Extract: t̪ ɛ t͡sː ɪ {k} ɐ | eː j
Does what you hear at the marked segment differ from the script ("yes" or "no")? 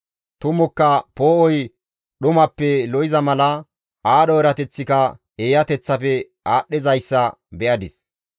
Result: no